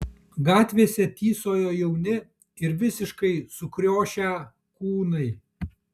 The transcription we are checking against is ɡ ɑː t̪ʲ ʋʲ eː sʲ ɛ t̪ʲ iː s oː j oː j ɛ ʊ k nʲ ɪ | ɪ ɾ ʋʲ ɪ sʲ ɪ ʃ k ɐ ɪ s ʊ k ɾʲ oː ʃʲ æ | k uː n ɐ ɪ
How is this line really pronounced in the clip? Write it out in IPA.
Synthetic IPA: ɡ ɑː t̪ʲ ʋʲ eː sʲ ɛ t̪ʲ iː s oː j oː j ɛ ʊ nʲ ɪ | ɪ ɾ ʋʲ ɪ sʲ ɪ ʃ k ɐ ɪ s ʊ k ɾʲ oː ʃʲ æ | k uː n ɐ ɪ